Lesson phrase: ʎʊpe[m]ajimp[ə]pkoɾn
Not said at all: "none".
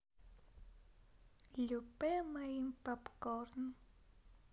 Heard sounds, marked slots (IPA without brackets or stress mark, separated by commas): m, a